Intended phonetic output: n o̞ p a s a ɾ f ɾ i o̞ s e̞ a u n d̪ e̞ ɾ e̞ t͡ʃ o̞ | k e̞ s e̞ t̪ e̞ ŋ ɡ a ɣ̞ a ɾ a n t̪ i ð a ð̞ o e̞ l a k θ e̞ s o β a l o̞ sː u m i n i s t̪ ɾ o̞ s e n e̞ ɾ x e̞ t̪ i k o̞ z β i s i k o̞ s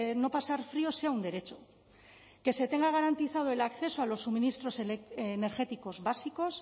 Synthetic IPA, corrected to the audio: n o̞ p a s a ɾ f ɾ i o̞ s e̞ a u n d̪ e̞ ɾ e̞ t͡ʃ o̞ | k e̞ s e̞ t̪ e̞ ŋ ɡ a ɣ̞ a ɾ a n t̪ i θ a ð̞ o e̞ l a k θ e̞ s o a l o̞ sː u m i n i s t̪ ɾ o̞ s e n e̞ ɾ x e̞ t̪ i k o̞ z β a s i k o̞ s